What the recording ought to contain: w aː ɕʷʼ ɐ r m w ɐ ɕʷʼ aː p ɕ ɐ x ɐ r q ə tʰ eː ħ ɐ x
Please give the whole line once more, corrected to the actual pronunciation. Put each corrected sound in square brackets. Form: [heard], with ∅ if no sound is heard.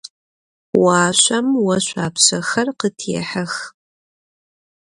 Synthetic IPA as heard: w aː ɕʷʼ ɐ [∅] m w ɐ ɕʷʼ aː p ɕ ɐ x ɐ r q ə tʰ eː ħ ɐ x